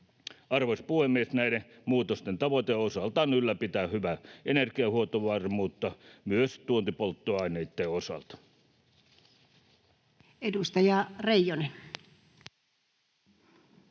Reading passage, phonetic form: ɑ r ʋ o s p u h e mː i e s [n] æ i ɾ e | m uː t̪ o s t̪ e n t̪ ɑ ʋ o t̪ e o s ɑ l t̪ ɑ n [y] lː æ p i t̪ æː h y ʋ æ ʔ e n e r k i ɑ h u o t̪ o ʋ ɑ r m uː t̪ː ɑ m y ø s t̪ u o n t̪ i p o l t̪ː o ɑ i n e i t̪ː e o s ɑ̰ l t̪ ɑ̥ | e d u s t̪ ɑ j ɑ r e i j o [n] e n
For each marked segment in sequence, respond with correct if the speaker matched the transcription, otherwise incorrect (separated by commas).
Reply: correct, correct, correct